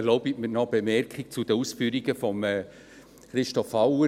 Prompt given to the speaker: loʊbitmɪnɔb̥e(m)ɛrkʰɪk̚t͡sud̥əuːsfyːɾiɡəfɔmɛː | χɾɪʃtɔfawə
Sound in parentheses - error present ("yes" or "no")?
no